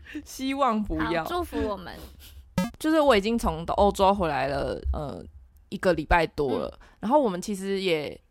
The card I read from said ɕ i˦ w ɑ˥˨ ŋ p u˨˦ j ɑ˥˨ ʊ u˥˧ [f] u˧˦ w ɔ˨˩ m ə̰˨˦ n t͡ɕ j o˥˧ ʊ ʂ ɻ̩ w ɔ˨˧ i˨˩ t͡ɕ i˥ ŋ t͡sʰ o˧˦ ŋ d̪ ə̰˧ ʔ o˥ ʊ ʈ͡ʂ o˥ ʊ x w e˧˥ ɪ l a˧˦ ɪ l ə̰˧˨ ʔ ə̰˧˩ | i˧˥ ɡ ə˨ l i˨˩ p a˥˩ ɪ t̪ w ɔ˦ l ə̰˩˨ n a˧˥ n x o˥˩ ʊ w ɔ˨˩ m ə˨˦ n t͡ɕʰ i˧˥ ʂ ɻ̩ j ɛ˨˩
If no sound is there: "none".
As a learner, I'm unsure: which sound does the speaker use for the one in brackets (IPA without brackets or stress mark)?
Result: f